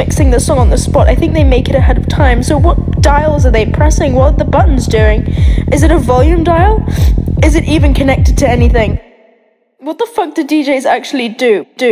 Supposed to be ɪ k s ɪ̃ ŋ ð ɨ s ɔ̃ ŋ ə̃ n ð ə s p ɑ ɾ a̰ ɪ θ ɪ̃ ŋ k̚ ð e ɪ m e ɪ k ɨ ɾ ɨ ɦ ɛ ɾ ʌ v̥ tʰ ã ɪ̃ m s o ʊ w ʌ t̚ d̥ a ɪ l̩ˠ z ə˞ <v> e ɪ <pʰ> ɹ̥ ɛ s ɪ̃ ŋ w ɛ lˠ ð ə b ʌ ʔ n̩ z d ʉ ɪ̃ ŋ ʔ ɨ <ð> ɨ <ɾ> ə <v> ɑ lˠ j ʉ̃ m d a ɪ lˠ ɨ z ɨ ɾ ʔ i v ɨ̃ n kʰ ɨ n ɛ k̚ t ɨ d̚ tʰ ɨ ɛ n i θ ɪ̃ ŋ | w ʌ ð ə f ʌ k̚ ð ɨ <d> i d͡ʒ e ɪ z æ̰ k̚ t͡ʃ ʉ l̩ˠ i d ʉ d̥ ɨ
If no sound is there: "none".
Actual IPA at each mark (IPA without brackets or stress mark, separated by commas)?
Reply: ð, pʰ, z, ɾ, v, d